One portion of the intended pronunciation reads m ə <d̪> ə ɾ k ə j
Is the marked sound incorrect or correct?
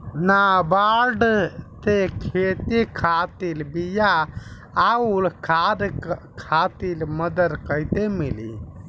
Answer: correct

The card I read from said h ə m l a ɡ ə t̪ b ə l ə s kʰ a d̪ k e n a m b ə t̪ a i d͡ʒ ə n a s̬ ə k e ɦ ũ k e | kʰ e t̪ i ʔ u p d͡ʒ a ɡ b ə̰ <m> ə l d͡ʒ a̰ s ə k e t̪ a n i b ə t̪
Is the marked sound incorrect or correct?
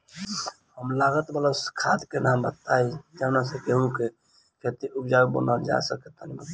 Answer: incorrect: n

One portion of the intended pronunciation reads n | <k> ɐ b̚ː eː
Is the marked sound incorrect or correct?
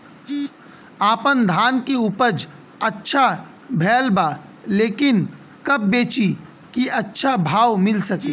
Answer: correct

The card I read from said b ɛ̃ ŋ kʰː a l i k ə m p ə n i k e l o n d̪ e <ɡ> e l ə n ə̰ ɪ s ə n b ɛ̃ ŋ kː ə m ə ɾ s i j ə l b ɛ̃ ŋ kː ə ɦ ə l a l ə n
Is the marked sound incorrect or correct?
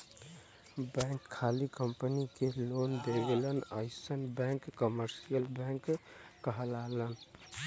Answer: correct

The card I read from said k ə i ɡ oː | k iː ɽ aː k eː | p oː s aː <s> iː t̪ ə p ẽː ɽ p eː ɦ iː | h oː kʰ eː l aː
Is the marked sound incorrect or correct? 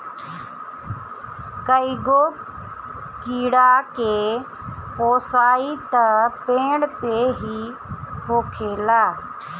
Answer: incorrect: none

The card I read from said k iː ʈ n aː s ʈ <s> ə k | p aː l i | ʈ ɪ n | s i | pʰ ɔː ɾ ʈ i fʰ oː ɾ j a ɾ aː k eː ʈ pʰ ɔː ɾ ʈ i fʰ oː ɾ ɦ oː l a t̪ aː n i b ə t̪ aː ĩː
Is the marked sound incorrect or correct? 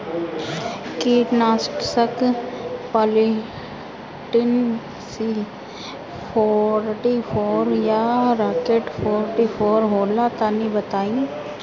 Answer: correct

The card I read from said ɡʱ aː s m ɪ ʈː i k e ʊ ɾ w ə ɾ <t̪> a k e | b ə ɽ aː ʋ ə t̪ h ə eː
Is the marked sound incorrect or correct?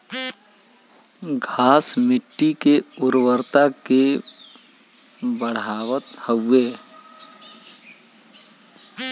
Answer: correct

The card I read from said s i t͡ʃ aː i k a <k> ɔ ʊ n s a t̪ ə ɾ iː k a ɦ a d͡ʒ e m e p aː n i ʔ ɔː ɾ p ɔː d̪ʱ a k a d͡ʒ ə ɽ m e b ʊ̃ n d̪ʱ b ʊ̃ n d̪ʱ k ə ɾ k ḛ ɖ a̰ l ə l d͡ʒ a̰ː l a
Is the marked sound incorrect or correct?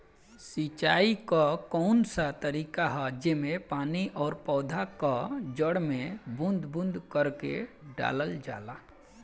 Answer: correct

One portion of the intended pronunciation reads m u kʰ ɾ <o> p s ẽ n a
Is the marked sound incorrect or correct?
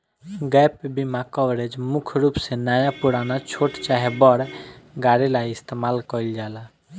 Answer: incorrect: u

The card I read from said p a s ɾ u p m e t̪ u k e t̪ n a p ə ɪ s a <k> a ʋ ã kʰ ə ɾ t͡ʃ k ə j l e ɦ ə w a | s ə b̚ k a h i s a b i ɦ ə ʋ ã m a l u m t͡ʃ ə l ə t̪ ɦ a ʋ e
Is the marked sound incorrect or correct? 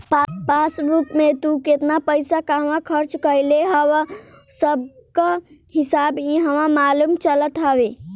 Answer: correct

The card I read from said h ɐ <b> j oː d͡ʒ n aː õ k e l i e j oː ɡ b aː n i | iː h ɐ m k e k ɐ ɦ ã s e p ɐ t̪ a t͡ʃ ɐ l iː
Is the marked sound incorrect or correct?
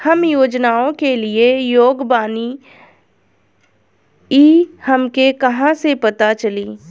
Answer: incorrect: m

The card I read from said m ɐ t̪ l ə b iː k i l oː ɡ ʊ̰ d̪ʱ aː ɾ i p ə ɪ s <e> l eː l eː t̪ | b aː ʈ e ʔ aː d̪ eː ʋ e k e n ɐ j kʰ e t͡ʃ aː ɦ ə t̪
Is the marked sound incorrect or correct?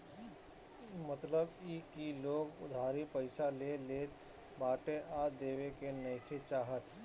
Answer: incorrect: a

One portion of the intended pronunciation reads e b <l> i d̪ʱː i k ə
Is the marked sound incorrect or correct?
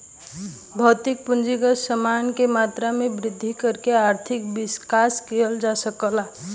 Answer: incorrect: ɾ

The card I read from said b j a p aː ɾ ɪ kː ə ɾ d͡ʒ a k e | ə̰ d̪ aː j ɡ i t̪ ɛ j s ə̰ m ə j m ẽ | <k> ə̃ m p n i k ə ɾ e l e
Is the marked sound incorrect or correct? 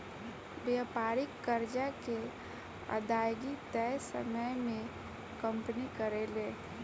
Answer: correct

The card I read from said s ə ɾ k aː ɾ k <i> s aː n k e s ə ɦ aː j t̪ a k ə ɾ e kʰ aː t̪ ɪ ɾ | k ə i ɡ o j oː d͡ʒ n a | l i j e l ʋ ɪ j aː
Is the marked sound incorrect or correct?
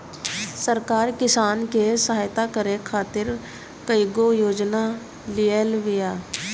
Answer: incorrect: ɪ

